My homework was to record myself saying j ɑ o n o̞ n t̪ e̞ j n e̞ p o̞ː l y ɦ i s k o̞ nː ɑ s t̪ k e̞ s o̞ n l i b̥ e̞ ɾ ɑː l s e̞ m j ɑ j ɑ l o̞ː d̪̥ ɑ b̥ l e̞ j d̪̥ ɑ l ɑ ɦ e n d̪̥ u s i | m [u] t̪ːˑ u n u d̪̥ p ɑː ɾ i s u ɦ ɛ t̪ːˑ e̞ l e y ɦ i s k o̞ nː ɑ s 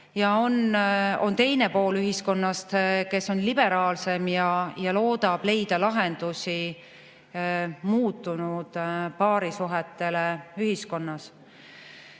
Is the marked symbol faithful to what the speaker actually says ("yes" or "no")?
no